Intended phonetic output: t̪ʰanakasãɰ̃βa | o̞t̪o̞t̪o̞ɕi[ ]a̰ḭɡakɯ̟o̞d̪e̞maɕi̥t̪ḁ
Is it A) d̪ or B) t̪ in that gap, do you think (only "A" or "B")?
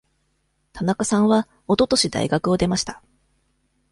A